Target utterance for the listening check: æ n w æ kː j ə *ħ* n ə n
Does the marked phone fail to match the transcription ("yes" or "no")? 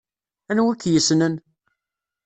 yes